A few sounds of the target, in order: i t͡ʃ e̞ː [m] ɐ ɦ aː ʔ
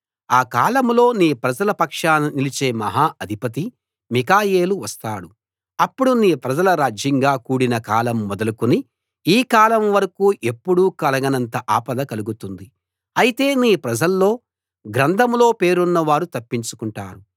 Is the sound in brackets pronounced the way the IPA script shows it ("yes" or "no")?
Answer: yes